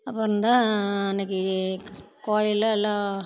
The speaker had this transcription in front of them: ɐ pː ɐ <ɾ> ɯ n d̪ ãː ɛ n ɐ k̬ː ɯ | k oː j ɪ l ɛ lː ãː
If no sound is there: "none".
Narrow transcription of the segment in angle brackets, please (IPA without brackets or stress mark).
ɾ